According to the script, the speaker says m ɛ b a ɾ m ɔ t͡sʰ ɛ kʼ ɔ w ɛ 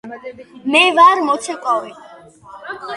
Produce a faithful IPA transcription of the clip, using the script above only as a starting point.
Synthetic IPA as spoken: m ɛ v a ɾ m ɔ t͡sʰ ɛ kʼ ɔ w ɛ